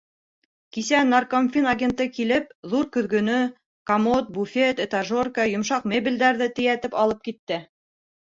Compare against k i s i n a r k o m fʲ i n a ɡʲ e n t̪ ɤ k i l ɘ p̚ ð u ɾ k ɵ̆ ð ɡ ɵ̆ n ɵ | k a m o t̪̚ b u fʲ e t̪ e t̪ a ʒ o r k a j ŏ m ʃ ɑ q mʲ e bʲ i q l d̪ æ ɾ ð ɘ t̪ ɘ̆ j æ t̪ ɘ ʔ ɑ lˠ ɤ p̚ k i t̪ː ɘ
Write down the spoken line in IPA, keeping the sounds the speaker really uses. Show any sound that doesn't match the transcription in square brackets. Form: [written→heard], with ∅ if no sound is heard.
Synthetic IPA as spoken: k i s [i→æ] n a r k o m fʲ i n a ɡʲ e n t̪ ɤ k i l ɘ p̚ ð u ɾ k ɵ̆ ð ɡ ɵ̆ n ɵ | k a m o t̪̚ b u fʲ e t̪ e t̪ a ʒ o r k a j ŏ m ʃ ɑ q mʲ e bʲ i [q→∅] l d̪ æ ɾ ð ɘ t̪ ɘ̆ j æ t̪ ɘ [ʔ→p] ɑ lˠ ɤ p̚ k i t̪ː ɘ

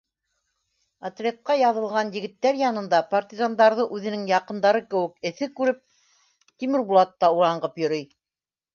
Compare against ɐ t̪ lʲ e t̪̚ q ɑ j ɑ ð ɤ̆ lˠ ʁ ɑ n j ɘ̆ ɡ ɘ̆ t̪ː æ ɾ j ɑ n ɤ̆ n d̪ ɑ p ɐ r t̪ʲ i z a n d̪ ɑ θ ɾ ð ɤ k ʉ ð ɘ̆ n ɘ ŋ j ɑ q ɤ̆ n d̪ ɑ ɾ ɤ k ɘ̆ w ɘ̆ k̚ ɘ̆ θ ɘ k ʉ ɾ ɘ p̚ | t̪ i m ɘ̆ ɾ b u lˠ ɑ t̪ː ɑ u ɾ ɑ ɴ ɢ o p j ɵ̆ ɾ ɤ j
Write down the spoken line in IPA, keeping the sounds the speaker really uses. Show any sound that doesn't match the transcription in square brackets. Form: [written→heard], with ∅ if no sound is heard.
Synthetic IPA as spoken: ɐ t̪ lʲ e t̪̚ q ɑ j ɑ ð ɤ̆ lˠ ʁ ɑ n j ɘ̆ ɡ ɘ̆ t̪ː æ ɾ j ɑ n ɤ̆ n d̪ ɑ p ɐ r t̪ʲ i z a n d̪ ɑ [θ→∅] ɾ ð ɤ [k→ʔ] ʉ ð ɘ̆ n ɘ ŋ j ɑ q ɤ̆ n d̪ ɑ ɾ ɤ k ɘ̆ w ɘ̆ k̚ ɘ̆ θ ɘ k ʉ ɾ ɘ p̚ | t̪ i m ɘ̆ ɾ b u lˠ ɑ t̪ː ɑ u ɾ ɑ ɴ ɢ [o→ɤ] p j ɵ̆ ɾ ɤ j

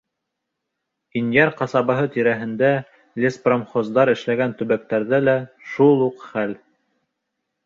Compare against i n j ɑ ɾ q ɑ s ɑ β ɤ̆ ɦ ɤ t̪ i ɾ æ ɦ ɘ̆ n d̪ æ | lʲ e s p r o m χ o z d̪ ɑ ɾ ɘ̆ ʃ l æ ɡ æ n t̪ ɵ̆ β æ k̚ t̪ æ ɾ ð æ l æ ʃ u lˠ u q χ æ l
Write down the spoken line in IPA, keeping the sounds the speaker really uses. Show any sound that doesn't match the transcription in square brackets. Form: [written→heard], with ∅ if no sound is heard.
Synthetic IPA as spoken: i n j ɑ ɾ q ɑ s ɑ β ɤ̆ ɦ ɤ t̪ i ɾ æ ɦ ɘ̆ n d̪ æ | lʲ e s p r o m χ o z d̪ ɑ ɾ ɘ̆ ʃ l æ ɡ æ n t̪ ɵ̆ β æ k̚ t̪ æ ɾ ð æ l æ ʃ u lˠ u q χ æ l

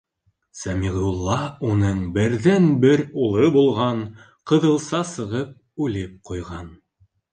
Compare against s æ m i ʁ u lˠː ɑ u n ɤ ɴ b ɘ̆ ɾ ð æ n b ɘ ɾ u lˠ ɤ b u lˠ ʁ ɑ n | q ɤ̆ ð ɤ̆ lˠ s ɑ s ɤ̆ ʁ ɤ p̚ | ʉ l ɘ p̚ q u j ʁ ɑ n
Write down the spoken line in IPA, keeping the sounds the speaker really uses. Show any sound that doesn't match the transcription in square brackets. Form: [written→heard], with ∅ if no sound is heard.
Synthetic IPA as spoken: s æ m i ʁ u lˠː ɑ u n ɤ ɴ b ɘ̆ ɾ ð æ n b ɘ ɾ u lˠ ɤ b u lˠ ʁ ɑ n | q ɤ̆ ð ɤ̆ lˠ s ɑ s ɤ̆ ʁ ɤ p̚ | ʉ l ɘ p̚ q u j ʁ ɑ n

